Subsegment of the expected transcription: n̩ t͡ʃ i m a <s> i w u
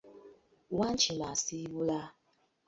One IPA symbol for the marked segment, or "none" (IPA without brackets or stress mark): s